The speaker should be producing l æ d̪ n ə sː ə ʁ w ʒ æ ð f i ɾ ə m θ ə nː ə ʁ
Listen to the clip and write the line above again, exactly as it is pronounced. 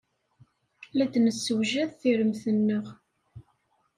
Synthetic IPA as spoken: l æ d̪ n ə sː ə w ʒ æ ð θ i ɾ ə m θ ə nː ə ʁ